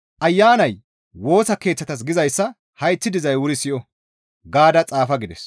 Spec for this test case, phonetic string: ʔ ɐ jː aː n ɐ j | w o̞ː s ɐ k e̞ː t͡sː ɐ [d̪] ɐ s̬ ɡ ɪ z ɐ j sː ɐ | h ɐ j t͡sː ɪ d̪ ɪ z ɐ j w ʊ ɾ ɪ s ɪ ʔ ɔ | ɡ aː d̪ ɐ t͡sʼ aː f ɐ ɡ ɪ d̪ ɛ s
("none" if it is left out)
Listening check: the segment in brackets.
t̪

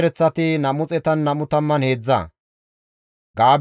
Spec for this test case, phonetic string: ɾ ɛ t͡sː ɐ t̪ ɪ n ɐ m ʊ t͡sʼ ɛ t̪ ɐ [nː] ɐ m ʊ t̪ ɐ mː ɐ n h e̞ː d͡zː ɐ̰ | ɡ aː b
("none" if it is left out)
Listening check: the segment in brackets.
nː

